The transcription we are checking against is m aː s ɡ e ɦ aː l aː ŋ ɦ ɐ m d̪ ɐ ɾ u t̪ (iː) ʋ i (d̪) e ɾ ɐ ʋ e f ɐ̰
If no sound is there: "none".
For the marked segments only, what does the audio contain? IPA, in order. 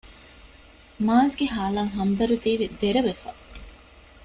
iː, d̪

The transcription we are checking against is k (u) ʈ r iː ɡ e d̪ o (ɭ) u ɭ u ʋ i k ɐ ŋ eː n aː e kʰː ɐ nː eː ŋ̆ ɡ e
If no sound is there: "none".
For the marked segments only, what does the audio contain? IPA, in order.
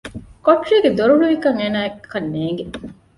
o, ɾ

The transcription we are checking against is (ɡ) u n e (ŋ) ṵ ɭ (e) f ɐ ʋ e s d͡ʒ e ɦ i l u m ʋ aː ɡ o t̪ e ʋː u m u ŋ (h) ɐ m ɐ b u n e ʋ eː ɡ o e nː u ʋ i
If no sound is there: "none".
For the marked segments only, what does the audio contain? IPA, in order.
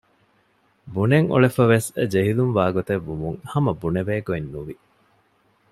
b, ŋ, e, h

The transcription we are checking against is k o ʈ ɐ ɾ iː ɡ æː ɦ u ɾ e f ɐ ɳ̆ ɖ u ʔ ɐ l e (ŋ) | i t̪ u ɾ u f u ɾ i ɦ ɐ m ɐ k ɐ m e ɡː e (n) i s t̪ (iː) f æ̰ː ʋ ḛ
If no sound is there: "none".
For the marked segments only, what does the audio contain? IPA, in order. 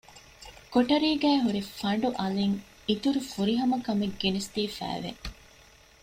ŋ, n, iː

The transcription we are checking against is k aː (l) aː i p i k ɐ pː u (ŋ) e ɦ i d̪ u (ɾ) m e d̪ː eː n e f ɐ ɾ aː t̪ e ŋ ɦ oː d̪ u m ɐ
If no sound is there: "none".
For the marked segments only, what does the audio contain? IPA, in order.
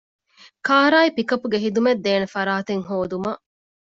ɾ, ɡ, none

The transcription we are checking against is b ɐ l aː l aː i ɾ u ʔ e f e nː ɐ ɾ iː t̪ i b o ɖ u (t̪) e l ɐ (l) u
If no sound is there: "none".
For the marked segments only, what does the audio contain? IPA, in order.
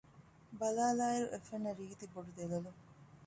d̪, l

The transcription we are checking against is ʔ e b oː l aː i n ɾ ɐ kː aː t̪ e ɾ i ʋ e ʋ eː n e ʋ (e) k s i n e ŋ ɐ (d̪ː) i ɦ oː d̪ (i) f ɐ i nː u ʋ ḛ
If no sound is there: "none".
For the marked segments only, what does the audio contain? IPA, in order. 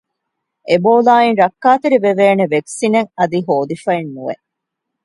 e, d̪, i

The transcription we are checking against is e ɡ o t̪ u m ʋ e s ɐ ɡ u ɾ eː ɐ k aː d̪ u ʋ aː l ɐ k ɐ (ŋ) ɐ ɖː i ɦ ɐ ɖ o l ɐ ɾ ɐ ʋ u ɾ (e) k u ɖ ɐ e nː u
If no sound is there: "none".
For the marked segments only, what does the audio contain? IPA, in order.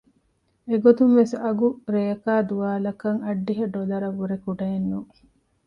ŋ, e

